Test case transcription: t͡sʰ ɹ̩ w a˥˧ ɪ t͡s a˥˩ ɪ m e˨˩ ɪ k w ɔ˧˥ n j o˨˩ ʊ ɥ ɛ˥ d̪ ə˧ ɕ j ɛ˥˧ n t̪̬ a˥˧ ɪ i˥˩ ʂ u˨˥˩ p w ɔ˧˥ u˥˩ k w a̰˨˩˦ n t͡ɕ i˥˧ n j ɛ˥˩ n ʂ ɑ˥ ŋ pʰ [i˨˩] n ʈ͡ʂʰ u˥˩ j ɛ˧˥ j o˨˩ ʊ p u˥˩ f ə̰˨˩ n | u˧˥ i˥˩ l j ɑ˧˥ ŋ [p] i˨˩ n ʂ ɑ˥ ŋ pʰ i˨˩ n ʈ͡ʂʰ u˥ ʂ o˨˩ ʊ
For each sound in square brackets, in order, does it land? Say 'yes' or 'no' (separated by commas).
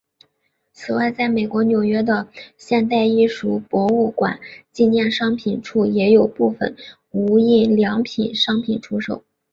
yes, no